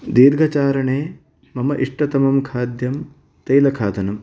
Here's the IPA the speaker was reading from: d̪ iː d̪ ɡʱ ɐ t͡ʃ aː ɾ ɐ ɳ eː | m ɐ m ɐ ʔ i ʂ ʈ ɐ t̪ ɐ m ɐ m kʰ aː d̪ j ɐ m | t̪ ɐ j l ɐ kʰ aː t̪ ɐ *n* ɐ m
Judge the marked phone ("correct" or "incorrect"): correct